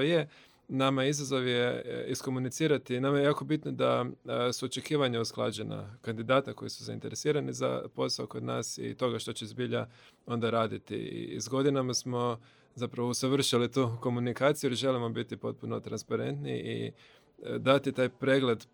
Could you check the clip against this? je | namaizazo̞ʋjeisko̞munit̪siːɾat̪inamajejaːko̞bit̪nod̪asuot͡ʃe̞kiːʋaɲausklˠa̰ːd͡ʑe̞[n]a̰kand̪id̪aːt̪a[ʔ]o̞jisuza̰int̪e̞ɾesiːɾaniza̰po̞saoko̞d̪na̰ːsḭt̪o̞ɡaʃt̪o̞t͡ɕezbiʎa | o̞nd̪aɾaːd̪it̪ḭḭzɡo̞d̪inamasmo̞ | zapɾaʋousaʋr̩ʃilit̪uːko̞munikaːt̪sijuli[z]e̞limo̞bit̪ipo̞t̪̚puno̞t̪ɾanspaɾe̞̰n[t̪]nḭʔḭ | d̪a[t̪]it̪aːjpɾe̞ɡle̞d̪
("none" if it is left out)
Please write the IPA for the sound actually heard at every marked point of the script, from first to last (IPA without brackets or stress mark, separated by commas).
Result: n, k, ʒ, t̪, t̪